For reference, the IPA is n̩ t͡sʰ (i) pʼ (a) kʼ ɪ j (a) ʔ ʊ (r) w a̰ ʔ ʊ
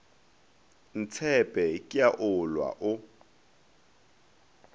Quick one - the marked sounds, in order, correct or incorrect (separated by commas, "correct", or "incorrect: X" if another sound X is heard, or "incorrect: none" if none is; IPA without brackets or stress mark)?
incorrect: ɛ, incorrect: ɛ, correct, incorrect: l